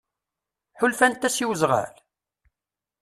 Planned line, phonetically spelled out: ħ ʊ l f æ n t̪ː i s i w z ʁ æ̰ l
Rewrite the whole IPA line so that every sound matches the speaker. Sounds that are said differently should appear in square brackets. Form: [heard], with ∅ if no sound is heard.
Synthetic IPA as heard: ħ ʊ l f æ n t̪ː [æ] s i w z ʁ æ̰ l